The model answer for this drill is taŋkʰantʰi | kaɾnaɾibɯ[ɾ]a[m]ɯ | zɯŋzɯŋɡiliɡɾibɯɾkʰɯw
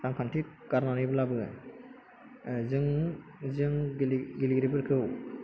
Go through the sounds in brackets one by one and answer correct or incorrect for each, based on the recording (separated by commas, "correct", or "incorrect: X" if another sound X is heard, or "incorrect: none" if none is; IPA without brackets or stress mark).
incorrect: l, incorrect: b